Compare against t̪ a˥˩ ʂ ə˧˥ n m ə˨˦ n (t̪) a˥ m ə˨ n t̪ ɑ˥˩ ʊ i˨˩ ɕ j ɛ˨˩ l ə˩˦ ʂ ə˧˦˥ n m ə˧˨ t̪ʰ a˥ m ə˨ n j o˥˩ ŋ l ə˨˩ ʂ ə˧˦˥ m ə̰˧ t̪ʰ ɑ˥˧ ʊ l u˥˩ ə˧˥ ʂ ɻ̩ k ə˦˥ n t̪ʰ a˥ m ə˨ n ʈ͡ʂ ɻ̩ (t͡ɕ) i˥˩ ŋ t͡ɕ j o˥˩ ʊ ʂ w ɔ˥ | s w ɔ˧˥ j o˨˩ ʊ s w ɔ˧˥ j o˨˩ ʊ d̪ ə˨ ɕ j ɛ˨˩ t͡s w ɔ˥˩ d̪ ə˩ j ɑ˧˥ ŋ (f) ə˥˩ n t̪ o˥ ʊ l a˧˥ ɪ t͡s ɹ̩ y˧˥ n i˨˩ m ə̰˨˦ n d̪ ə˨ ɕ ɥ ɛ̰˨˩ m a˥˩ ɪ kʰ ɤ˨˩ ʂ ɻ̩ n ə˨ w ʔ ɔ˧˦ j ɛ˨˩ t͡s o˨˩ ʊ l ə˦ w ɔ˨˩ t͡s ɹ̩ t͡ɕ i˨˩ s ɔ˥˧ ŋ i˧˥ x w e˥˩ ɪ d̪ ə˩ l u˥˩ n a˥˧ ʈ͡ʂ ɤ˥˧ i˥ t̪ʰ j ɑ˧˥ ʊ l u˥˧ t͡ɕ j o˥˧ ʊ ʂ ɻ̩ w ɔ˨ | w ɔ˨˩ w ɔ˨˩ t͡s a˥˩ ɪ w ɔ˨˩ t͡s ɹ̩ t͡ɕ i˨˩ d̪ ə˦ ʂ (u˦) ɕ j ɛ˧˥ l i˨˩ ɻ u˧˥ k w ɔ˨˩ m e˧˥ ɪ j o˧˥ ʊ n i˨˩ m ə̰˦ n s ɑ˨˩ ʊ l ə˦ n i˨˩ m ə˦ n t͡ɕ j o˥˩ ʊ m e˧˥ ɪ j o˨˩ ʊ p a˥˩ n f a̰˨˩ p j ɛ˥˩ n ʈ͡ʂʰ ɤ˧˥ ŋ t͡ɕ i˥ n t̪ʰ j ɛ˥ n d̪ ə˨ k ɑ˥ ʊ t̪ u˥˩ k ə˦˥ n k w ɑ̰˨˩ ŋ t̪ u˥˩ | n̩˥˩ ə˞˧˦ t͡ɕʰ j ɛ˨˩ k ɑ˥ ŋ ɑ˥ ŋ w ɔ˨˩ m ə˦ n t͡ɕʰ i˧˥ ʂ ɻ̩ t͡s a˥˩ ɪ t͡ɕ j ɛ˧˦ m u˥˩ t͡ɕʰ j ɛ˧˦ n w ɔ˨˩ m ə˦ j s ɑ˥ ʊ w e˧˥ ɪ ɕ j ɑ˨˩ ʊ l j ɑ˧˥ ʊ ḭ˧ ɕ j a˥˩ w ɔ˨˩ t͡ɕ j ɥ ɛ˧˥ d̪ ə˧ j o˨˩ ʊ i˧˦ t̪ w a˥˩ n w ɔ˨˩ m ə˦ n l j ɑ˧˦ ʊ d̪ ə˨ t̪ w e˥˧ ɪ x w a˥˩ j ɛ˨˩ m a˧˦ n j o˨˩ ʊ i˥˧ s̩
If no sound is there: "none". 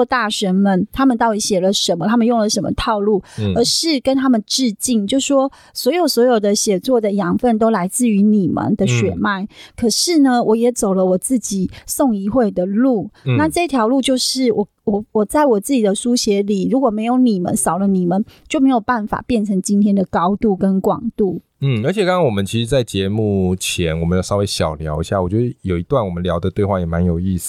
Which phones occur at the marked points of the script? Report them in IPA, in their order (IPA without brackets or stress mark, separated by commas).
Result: t̪ʰ, t͡ɕ, f, u˦